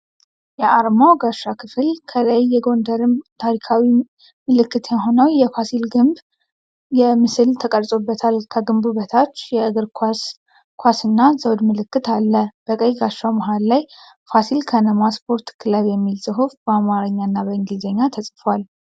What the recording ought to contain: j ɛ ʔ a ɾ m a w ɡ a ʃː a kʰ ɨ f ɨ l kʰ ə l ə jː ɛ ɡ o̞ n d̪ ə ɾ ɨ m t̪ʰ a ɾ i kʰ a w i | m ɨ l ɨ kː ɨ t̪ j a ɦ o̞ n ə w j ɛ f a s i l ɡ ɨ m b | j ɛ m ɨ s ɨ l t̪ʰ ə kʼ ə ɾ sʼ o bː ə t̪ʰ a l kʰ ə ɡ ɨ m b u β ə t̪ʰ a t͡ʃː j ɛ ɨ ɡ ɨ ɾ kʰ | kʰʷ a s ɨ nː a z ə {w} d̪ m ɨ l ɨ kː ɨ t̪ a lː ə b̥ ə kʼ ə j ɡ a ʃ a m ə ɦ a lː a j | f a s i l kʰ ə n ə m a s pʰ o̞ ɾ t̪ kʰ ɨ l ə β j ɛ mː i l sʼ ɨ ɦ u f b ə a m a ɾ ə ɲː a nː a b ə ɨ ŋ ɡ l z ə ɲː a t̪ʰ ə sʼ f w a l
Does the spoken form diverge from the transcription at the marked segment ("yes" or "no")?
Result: no